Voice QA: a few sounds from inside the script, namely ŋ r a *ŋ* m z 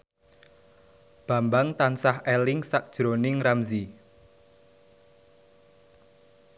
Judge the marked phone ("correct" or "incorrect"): incorrect